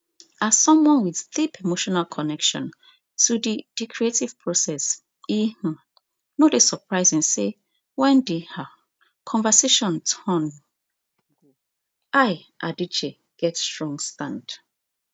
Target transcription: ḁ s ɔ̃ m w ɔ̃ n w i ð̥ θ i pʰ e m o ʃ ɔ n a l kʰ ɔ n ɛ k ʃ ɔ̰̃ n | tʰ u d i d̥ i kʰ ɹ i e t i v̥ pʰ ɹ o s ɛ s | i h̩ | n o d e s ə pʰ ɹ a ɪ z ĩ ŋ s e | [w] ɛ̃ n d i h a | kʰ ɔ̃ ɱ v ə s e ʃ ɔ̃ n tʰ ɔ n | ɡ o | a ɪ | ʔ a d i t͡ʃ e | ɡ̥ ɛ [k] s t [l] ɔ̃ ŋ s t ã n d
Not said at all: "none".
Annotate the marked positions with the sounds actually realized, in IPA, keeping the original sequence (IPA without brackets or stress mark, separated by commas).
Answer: w, t, ɹ